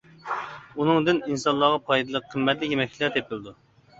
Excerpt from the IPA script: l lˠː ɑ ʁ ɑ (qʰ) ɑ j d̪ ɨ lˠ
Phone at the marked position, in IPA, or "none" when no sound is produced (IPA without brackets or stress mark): pʰ